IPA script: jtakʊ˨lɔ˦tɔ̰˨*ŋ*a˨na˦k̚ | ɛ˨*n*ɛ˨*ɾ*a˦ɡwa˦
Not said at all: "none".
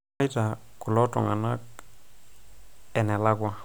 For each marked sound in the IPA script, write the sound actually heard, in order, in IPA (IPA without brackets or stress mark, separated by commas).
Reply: ŋ, n, l